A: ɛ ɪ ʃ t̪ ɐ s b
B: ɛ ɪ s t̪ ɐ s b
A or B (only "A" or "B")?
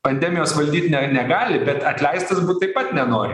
B